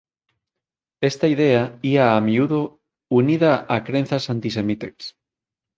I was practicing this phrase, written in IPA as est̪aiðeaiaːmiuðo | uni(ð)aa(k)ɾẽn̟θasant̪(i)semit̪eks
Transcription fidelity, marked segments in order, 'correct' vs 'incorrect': correct, correct, correct

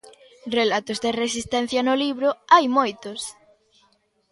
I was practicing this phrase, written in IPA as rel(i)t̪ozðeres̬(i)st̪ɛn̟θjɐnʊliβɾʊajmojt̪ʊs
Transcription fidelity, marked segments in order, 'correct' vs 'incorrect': incorrect: a, correct

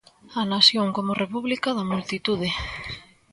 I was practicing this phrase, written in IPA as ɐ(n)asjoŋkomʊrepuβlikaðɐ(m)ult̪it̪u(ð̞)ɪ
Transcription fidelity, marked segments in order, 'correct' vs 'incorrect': correct, correct, correct

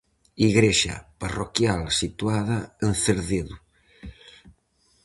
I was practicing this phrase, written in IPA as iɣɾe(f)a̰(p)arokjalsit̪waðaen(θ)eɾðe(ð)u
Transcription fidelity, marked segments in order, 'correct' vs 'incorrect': incorrect: ʃ, correct, correct, correct

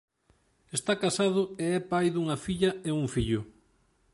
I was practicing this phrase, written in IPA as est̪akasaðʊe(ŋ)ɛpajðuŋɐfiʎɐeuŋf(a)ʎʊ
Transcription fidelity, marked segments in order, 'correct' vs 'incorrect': incorrect: none, incorrect: i

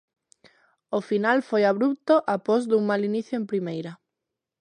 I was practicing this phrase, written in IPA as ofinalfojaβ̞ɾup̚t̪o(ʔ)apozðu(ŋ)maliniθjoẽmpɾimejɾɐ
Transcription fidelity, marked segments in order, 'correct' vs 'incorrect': correct, correct

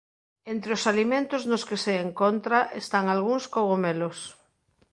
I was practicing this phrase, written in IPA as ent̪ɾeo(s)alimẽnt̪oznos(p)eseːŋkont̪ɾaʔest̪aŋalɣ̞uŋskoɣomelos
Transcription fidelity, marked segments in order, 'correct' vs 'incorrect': correct, incorrect: k

